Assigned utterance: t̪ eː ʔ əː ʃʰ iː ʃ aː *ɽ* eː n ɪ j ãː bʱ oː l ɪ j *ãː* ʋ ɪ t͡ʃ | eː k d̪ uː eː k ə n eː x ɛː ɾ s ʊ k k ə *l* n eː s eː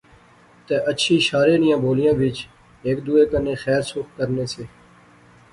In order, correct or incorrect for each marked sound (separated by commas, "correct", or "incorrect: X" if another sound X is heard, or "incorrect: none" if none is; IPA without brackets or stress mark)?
incorrect: ɾ, correct, incorrect: ɾ